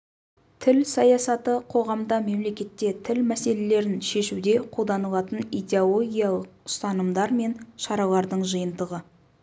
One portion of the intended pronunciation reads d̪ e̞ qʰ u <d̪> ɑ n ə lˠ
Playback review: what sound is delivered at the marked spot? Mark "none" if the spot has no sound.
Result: d̪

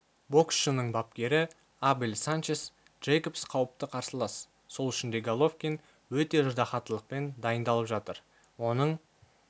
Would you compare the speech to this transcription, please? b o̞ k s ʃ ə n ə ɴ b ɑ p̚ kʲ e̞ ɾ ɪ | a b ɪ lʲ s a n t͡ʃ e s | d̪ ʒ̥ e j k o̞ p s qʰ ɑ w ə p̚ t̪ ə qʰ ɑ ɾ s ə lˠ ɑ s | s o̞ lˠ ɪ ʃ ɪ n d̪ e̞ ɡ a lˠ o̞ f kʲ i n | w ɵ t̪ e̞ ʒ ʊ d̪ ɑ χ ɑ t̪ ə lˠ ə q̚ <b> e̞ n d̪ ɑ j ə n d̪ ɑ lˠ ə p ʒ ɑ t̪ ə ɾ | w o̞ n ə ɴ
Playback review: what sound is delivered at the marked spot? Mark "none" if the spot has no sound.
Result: p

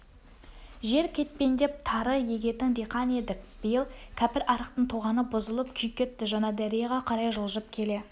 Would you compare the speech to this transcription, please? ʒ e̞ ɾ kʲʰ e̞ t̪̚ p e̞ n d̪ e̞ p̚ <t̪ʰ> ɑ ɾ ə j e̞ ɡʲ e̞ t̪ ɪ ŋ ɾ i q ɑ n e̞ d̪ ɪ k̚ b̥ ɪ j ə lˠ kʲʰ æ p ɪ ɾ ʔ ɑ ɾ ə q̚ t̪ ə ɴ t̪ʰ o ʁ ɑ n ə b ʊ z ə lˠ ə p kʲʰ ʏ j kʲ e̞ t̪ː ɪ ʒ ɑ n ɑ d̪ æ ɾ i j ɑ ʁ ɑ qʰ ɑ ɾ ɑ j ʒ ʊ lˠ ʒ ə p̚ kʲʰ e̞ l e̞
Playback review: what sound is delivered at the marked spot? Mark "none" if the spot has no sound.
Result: t̪ʰ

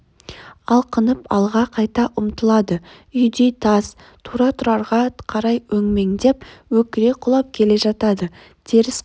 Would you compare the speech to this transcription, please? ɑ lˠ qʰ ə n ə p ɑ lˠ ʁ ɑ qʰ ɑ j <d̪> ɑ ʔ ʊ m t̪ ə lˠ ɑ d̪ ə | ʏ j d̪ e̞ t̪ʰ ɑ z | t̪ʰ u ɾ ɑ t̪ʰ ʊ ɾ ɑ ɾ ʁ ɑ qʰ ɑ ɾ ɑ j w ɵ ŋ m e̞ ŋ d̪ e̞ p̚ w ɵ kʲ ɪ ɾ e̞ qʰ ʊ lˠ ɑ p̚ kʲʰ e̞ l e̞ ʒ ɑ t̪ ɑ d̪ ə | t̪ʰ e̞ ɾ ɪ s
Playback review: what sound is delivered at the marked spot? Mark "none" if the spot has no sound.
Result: t̪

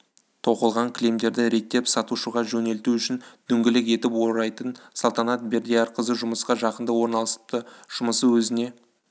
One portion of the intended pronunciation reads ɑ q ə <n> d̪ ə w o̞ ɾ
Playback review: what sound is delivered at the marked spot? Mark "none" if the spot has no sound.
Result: n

